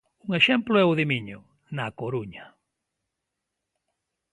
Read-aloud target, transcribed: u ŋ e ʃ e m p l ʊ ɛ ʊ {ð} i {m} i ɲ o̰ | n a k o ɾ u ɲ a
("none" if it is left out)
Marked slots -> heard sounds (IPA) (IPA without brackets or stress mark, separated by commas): ð, m